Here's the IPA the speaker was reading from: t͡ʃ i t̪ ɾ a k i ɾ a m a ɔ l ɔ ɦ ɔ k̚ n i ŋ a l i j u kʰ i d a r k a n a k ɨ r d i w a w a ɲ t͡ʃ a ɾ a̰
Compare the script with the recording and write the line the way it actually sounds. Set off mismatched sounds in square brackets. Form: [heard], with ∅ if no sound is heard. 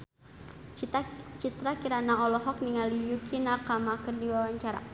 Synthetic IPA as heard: t͡ʃ i t̪ ɾ a k i ɾ a [n] a ɔ l ɔ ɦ ɔ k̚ n i ŋ a l i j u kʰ i [n] a r k a [m] a k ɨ r d i w a w a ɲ t͡ʃ a ɾ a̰